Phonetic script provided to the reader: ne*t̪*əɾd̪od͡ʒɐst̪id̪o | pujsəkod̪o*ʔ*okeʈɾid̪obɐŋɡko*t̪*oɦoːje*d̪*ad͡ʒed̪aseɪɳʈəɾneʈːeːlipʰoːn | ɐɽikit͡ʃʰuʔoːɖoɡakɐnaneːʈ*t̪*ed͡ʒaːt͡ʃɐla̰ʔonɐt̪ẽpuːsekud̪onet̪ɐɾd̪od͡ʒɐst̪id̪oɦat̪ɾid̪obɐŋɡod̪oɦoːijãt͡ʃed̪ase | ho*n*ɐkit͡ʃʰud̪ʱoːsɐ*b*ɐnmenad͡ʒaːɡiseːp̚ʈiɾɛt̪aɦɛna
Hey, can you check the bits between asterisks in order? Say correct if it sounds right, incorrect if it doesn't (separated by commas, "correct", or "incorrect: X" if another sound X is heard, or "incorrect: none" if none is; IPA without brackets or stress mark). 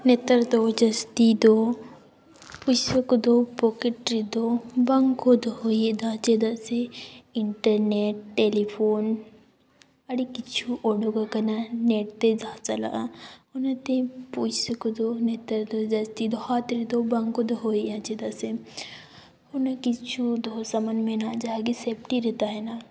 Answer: correct, incorrect: p, incorrect: d̪, correct, correct, correct, incorrect: m